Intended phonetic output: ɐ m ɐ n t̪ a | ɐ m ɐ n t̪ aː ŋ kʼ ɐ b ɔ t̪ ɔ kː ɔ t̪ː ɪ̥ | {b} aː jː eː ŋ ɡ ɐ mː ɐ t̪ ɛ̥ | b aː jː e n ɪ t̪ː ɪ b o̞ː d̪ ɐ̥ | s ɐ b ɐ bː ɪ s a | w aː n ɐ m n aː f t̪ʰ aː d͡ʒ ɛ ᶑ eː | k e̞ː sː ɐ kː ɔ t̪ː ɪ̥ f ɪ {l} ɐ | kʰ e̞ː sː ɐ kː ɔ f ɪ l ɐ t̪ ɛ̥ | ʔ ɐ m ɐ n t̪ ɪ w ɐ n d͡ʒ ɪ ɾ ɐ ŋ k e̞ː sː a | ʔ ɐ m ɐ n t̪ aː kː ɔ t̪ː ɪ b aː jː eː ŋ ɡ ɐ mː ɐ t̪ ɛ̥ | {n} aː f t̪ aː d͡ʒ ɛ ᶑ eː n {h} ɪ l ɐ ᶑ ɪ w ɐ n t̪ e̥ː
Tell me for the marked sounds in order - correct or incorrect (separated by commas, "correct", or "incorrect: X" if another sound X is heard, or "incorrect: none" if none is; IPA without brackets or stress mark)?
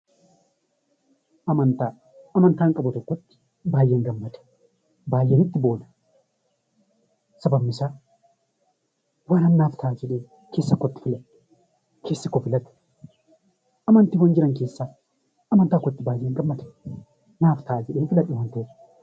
correct, correct, correct, incorrect: f